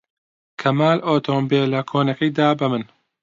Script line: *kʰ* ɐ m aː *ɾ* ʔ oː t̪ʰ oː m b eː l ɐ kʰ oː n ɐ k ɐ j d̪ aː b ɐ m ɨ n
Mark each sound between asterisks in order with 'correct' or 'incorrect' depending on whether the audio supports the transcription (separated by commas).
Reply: correct, incorrect